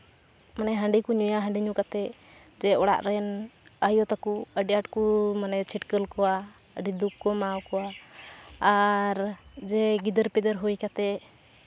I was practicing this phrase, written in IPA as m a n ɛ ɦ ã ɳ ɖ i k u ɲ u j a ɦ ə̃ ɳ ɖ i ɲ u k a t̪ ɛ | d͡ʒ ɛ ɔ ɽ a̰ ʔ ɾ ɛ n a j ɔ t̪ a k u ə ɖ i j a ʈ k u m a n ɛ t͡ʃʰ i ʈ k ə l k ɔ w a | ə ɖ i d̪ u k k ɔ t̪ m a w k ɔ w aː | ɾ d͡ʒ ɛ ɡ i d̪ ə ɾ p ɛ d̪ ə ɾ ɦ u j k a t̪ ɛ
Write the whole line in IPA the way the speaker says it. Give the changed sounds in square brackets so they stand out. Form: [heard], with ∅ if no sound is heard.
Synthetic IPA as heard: m a n ɛ ɦ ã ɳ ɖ i k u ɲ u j a ɦ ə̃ ɳ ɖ i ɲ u k a t̪ ɛ | d͡ʒ ɛ ɔ ɽ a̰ ʔ ɾ ɛ n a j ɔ t̪ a k u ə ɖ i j a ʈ k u m a n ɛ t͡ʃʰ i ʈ k ə l k ɔ w a | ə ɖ i d̪ u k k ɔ [∅] m a w k ɔ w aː | ɾ d͡ʒ ɛ ɡ i d̪ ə ɾ p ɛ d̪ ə ɾ ɦ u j k a t̪ ɛ